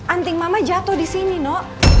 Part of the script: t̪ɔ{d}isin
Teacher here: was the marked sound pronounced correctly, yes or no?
yes